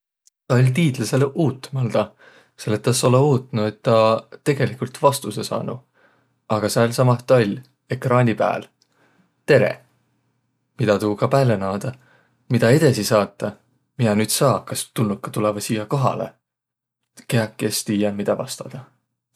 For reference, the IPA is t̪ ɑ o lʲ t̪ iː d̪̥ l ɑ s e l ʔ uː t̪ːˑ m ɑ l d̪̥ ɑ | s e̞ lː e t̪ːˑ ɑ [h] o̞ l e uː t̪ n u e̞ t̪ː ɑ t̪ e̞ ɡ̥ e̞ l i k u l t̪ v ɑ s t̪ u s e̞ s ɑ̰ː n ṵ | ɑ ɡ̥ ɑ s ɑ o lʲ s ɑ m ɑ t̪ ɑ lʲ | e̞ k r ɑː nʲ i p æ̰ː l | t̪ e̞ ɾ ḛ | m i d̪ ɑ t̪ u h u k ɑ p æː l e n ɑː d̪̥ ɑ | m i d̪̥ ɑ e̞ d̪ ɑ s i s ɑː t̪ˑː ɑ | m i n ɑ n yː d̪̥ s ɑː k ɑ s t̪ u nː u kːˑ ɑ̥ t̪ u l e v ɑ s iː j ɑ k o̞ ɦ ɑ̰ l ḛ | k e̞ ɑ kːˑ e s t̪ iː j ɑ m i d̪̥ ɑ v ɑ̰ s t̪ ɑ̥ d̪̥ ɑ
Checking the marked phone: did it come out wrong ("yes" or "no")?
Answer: yes